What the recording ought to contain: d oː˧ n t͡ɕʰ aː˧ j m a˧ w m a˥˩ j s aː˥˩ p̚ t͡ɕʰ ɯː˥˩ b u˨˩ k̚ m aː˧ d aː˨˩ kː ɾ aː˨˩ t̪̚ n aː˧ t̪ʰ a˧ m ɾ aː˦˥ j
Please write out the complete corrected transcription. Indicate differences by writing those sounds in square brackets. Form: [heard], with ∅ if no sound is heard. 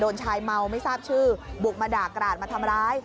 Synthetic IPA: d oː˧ n t͡ɕʰ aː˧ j m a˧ w m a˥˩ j s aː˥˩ p̚ t͡ɕʰ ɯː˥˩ b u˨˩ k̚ m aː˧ d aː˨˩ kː ɾ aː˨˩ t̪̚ [m] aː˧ t̪ʰ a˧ m ɾ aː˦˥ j